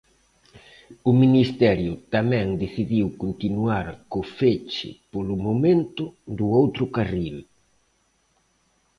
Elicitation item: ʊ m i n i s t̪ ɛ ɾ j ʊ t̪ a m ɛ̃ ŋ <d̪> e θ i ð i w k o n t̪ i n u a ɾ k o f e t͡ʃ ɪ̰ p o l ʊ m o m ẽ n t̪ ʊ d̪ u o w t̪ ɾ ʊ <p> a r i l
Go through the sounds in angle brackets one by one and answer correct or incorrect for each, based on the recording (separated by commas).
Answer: correct, incorrect